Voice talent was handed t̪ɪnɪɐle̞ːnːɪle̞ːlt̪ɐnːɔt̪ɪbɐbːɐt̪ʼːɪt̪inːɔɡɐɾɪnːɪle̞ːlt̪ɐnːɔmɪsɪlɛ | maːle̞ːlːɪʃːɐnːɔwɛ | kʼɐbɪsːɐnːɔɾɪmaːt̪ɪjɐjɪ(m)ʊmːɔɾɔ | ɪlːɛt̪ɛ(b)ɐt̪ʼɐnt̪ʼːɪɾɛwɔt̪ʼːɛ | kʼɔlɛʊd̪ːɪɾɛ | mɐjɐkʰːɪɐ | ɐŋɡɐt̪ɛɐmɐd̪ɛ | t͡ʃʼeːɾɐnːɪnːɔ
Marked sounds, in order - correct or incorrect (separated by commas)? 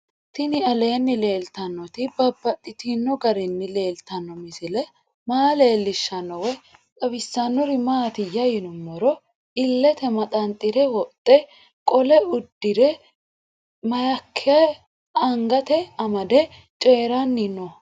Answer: incorrect, incorrect